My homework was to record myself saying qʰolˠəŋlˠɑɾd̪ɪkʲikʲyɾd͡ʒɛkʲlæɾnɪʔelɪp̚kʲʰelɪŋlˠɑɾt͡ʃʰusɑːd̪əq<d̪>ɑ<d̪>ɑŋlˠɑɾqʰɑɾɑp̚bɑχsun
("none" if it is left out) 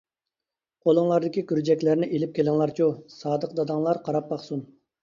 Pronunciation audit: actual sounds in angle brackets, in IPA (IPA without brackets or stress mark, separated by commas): d̪, d̪